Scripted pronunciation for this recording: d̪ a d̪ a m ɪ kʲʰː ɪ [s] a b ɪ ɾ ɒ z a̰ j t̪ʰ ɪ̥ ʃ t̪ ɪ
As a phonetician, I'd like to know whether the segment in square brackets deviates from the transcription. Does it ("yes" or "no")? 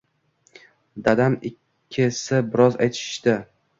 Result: no